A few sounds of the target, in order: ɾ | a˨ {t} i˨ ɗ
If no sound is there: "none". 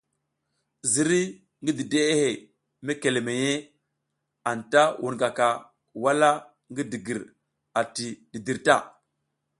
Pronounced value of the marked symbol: t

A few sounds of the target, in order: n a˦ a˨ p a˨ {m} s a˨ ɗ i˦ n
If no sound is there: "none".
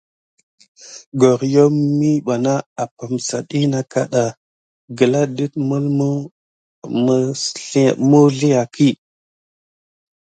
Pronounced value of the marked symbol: m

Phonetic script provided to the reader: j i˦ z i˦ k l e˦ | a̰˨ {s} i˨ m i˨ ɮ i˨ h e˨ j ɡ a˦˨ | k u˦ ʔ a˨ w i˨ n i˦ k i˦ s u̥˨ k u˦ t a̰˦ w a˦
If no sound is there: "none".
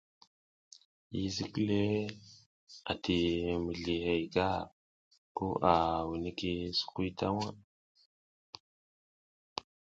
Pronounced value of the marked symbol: t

